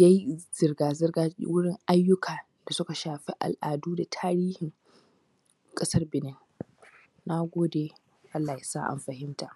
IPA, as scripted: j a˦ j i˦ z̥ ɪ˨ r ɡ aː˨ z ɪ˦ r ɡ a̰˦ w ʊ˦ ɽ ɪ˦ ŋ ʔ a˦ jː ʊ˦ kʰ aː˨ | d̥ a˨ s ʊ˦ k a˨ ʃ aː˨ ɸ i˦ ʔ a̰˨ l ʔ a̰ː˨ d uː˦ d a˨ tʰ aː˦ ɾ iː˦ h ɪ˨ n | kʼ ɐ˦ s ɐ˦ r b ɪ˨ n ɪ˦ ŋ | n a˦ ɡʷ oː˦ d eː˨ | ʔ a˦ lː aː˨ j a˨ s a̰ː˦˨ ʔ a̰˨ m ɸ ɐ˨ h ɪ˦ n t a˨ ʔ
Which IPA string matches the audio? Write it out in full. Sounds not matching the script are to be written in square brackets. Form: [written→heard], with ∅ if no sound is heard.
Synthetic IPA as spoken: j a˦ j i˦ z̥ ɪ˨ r ɡ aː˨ z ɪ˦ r ɡ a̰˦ w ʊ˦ ɽ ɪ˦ ŋ ʔ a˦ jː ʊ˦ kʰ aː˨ | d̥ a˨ s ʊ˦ k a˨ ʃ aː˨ ɸ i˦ ʔ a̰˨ l ʔ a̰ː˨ d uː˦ d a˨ tʰ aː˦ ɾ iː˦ h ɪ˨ [n→ŋ] | kʼ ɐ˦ s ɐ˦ r b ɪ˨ n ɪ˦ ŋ | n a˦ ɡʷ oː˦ d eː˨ | ʔ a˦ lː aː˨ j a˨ s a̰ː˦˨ ʔ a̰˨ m ɸ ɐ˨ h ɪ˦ [n→m] t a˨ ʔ